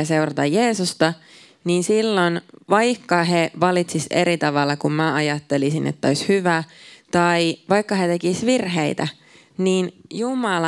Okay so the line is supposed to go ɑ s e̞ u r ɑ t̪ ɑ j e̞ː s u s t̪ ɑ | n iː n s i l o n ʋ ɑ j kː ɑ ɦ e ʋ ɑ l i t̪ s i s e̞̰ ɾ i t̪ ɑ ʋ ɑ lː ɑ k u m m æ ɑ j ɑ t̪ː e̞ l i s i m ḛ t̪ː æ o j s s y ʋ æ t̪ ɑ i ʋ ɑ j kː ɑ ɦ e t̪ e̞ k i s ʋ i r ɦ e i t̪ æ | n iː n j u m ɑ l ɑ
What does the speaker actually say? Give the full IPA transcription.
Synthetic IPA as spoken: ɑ s e̞ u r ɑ t̪ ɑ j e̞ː s u s t̪ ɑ | n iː n s i lː o n ʋ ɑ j kː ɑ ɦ e ʋ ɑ l i t̪ s i s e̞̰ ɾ i t̪ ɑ ʋ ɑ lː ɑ k u m m æ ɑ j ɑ t̪ː e̞ l i s i n ḛ t̪ː æ o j s h y ʋ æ t̪ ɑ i ʋ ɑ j kː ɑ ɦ e t̪ e̞ k i s ʋ i r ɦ e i t̪ æ | n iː n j u m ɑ l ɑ